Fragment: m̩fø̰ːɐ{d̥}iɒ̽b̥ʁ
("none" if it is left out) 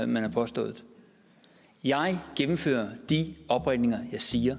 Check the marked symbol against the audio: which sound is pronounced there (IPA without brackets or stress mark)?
d̥